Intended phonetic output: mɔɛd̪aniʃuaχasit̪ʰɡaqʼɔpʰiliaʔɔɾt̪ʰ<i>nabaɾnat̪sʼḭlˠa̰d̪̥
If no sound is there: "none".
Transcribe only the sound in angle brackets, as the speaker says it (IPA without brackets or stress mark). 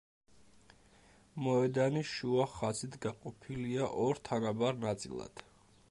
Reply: a